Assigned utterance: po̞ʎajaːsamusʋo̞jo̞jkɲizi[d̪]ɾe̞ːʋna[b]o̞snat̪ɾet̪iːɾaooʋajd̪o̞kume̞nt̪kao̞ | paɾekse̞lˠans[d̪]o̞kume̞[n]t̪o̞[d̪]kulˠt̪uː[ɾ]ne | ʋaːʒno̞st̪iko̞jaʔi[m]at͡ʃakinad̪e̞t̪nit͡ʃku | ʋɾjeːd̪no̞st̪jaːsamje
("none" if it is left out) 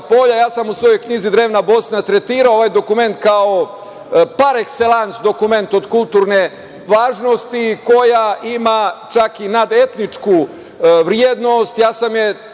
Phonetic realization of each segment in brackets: d̪, b, d̪, n, d̪, ɾ, m

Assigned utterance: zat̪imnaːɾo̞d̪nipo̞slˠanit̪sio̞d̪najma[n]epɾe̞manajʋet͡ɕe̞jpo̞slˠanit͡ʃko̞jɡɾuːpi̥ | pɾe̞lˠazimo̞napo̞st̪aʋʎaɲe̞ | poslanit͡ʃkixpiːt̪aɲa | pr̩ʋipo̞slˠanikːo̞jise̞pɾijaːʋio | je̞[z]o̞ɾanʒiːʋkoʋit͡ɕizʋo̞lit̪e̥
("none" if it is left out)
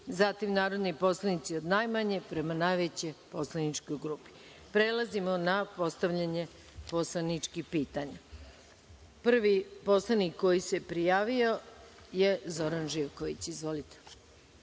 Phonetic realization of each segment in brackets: ɲ, z

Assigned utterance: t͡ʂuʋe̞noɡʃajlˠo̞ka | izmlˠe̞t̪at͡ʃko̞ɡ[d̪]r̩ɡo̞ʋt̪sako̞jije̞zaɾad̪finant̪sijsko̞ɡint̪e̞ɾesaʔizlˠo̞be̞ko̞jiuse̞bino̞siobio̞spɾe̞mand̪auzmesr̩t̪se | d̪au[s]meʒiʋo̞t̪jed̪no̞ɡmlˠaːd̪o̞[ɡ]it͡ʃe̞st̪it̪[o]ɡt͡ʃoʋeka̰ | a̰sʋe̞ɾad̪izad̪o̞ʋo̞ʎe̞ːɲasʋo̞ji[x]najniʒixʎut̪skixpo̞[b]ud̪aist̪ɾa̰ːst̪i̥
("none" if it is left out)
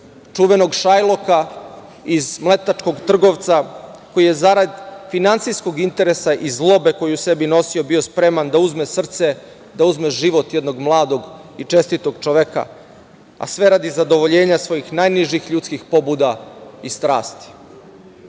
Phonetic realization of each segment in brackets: t̪, z, ɡ, o, x, b

